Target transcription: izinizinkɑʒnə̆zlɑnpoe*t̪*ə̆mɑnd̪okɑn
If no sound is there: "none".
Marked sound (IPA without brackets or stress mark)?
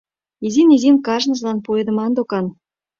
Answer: d̪